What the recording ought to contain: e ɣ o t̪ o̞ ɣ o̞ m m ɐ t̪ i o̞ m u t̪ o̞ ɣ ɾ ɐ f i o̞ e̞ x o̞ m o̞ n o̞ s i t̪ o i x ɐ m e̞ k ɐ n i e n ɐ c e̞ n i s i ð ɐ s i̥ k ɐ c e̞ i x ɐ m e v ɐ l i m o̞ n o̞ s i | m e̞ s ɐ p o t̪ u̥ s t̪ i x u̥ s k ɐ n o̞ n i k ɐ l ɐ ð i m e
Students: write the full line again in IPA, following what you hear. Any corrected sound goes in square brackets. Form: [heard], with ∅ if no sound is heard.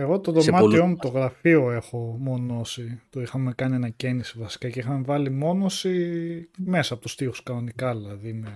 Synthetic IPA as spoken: e ɣ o t̪ o̞ [ð] o̞ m m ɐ t̪ i o̞ m u t̪ o̞ ɣ ɾ ɐ f i o̞ e̞ x o̞ m o̞ n o̞ s i t̪ o i x ɐ m e̞ k ɐ n i e n ɐ c e̞ n i s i [v] ɐ s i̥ k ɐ c e̞ i x ɐ m e v ɐ l i m o̞ n o̞ s i | m e̞ s ɐ p o t̪ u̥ s t̪ i x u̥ s k ɐ n o̞ n i k ɐ l ɐ ð i m e